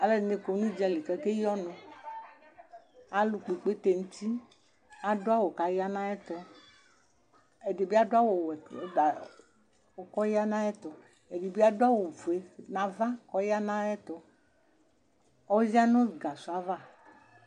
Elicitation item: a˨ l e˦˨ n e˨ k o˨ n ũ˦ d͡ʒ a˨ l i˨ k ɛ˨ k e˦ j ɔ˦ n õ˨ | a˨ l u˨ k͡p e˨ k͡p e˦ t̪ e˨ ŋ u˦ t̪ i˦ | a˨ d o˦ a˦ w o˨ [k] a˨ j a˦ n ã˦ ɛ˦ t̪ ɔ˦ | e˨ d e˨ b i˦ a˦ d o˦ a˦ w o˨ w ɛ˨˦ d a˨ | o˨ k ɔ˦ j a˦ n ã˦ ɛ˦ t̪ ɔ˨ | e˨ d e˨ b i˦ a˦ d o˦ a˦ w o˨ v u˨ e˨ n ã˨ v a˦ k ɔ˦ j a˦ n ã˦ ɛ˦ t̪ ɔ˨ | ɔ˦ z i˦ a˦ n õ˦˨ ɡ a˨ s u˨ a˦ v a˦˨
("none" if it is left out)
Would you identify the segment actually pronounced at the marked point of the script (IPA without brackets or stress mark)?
k